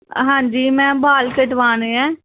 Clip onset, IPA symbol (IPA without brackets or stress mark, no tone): ɦ